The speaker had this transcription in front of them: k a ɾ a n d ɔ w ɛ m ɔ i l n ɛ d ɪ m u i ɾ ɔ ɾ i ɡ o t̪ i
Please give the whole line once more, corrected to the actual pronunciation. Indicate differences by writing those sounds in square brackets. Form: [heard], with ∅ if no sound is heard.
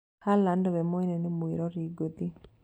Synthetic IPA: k a [l] a n d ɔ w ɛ m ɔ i [∅] n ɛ [n] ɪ m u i ɾ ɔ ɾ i ɡ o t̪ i